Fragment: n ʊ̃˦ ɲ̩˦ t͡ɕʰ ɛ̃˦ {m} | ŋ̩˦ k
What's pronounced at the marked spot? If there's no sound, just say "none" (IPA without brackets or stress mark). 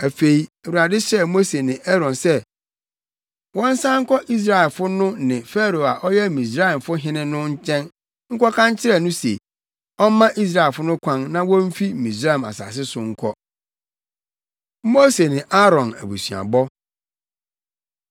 n